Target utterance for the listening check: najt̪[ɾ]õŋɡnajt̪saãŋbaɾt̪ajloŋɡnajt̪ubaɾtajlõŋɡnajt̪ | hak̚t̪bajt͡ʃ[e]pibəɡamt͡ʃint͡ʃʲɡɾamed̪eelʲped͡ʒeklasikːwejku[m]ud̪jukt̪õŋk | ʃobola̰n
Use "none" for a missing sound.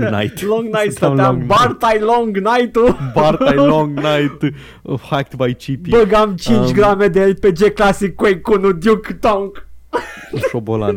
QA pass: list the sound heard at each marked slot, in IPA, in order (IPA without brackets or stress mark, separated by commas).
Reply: l, i, n